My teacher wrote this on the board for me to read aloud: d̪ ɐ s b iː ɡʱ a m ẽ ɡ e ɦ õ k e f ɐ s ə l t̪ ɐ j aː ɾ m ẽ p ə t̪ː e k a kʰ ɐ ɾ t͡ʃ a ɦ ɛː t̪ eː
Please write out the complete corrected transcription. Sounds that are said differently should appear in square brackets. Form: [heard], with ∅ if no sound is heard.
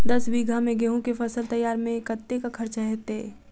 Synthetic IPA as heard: d̪ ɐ s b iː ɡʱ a m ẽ ɡ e ɦ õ k e f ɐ s ə l t̪ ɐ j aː ɾ m ẽ [k] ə t̪ː e k a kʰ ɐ ɾ t͡ʃ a ɦ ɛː t̪ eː